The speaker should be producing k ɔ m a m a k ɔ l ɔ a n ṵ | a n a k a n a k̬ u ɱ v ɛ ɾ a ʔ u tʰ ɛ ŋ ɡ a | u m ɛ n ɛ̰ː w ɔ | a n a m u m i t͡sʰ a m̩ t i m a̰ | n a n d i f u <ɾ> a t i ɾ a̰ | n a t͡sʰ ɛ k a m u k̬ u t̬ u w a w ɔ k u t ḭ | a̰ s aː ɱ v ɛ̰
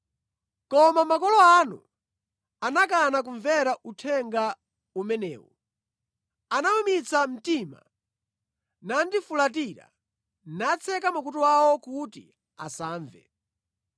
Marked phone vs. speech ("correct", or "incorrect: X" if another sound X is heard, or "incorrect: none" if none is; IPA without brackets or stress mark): incorrect: l